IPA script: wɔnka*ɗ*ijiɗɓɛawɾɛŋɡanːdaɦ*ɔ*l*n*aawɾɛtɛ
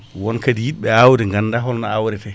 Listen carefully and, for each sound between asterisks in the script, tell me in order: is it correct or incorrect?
incorrect, correct, correct

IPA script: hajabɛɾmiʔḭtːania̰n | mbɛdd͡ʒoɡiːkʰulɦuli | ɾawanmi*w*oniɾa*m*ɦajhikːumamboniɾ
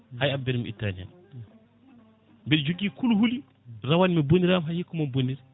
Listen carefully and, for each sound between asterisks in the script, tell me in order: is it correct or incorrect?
incorrect, correct

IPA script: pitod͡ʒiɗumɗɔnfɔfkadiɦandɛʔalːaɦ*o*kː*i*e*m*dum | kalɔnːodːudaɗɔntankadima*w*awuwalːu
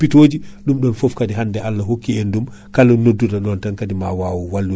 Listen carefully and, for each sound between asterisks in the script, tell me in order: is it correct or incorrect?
correct, correct, incorrect, correct

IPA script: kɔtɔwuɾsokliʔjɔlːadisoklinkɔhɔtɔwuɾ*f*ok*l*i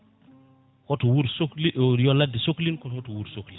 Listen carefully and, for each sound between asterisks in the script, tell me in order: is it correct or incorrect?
incorrect, correct

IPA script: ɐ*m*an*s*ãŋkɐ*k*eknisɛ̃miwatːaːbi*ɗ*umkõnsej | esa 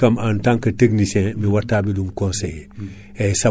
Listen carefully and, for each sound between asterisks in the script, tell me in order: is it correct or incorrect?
correct, incorrect, incorrect, incorrect

